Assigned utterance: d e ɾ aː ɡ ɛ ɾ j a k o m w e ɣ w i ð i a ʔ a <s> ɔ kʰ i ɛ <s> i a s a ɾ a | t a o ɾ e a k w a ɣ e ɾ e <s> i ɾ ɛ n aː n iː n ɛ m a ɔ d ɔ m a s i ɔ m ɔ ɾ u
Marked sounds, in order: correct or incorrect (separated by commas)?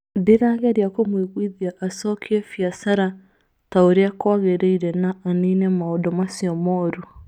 correct, incorrect, incorrect